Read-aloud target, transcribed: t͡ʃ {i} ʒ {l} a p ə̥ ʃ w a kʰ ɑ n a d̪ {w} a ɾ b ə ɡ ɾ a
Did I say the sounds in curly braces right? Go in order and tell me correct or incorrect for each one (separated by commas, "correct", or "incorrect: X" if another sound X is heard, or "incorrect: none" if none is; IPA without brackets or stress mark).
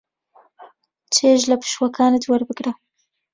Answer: incorrect: e, correct, correct